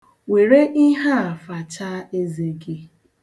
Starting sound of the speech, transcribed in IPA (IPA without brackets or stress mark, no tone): w